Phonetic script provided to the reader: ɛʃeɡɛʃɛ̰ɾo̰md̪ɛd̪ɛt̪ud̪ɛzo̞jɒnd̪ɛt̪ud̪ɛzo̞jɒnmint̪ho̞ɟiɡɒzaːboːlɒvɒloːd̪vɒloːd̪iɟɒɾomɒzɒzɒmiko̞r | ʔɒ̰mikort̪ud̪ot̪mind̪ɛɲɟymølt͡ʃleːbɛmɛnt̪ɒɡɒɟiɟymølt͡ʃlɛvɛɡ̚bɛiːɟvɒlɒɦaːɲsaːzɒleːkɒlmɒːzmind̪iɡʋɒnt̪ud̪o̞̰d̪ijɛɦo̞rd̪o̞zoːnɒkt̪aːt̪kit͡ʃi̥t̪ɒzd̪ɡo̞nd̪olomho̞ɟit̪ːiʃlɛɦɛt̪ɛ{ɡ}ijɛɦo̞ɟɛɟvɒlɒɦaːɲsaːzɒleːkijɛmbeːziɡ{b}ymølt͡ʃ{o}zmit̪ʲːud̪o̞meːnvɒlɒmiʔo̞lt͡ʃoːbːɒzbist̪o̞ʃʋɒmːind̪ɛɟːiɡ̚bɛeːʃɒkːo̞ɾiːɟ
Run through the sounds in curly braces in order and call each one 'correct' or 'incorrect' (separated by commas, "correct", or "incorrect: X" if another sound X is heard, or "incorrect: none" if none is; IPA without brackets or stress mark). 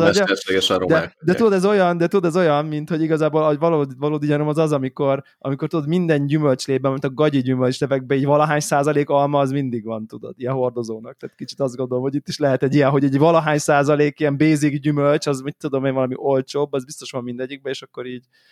incorrect: ɟ, incorrect: ɟ, incorrect: ɒ